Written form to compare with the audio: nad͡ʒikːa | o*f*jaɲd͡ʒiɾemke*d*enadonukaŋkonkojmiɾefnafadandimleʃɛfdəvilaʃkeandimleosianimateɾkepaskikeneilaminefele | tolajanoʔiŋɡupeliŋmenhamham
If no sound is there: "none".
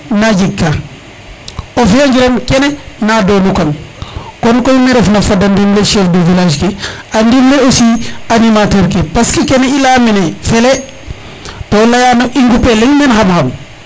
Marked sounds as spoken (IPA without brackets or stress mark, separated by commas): f, n